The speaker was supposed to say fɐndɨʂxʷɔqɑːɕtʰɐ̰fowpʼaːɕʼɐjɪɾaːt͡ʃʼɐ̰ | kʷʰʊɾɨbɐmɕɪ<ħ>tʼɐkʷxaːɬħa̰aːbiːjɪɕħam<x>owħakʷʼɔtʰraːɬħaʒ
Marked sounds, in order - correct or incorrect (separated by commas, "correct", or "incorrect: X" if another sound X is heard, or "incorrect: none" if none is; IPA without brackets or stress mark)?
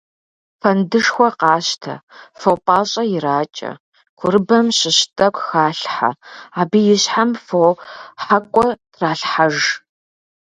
incorrect: ɕ, incorrect: f